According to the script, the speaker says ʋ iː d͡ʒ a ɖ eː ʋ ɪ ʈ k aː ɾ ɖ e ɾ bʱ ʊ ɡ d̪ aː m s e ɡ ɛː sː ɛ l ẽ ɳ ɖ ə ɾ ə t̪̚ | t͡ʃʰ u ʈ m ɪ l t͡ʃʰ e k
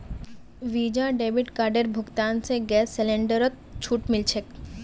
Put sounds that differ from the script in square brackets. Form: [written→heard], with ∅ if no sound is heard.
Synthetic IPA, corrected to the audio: ʋ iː d͡ʒ a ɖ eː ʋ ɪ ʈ k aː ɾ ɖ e ɾ bʱ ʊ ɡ [d̪→t̪] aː [m→n] s e ɡ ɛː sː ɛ l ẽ ɳ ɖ ə ɾ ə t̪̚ | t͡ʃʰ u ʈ m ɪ l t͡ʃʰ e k